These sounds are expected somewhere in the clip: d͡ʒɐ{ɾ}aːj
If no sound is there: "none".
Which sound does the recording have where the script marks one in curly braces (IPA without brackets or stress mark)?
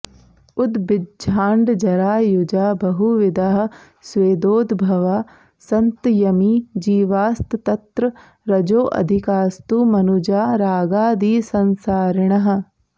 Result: ɾ